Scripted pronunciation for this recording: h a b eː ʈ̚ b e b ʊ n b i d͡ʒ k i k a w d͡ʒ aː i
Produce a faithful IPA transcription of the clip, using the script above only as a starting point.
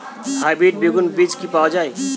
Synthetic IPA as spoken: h a b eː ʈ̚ b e ɡ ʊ n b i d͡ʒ k i p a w d͡ʒ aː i